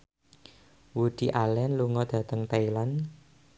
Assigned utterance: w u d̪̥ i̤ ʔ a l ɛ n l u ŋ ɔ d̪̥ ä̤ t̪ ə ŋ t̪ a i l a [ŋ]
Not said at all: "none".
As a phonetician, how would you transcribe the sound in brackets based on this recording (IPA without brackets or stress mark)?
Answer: n